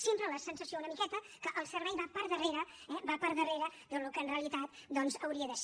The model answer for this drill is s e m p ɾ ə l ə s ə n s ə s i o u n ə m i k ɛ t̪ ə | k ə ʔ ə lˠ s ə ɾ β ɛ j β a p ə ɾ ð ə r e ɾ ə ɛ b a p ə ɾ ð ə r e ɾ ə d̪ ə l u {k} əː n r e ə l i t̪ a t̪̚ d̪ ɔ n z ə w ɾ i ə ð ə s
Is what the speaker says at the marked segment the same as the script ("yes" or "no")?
yes